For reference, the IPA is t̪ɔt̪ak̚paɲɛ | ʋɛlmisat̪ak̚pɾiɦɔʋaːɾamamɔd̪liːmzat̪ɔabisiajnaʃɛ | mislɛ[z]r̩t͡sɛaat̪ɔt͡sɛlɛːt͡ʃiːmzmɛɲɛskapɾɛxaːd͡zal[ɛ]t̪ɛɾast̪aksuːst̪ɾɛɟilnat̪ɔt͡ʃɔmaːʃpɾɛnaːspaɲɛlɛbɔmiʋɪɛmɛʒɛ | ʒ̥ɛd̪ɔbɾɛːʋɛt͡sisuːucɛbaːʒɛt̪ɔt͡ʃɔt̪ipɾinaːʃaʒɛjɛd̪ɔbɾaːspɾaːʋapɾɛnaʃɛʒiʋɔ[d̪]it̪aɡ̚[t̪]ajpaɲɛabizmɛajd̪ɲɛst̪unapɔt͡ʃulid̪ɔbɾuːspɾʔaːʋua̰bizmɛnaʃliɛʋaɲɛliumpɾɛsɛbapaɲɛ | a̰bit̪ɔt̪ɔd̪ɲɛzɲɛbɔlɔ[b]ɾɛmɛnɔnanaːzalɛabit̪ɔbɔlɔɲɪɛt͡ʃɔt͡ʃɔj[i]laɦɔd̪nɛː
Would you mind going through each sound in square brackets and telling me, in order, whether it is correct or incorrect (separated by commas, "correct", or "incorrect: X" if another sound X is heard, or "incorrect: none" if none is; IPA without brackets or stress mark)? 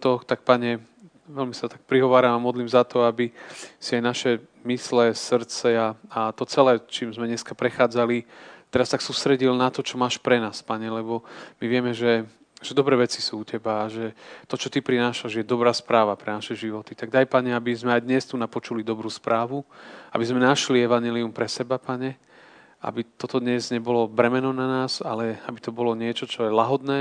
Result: incorrect: s, incorrect: i, incorrect: t̪, incorrect: d̪, correct, incorrect: ɛ